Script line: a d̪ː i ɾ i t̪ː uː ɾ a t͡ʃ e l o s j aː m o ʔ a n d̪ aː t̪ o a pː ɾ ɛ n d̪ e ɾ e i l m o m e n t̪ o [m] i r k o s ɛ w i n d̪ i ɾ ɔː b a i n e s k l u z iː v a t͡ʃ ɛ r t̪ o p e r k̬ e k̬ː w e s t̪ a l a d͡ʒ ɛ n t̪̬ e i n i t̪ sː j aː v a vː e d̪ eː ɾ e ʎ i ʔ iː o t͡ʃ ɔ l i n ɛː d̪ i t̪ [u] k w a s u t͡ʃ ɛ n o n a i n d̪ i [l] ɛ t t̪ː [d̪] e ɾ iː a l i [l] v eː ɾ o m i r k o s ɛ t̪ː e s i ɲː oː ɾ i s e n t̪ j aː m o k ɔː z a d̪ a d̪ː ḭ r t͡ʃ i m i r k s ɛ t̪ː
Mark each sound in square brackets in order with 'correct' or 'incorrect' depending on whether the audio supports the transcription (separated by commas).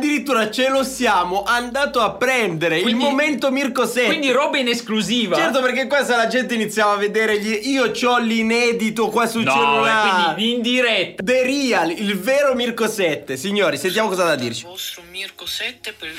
correct, incorrect, incorrect, correct, correct